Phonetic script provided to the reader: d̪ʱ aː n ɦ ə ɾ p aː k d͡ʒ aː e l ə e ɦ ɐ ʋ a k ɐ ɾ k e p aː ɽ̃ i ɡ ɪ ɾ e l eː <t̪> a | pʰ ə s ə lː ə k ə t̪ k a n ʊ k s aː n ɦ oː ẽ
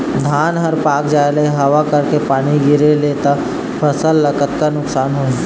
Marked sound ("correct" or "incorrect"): correct